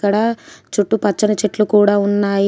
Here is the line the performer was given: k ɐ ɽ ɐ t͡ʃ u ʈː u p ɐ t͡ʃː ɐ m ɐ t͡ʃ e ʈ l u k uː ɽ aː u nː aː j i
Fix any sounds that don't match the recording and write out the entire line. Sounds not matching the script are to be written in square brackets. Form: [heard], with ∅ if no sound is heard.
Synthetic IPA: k ɐ ɽ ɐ t͡ʃ u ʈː u p ɐ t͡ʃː ɐ [n] ɐ t͡ʃ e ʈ l u k uː ɽ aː u nː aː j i